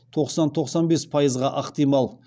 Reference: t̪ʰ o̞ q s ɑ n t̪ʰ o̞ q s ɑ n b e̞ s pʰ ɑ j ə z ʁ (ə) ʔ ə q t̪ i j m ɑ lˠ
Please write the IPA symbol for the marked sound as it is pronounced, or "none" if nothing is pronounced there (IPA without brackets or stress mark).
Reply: ɑ